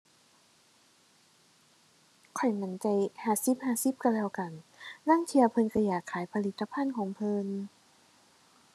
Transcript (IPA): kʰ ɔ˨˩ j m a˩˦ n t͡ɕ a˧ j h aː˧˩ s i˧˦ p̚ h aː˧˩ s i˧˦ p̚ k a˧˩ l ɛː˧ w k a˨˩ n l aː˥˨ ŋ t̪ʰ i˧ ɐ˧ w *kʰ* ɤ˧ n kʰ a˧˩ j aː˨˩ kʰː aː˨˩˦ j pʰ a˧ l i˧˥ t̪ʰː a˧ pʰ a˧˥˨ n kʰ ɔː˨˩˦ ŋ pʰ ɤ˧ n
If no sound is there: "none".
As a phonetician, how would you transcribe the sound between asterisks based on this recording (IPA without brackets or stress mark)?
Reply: pʰ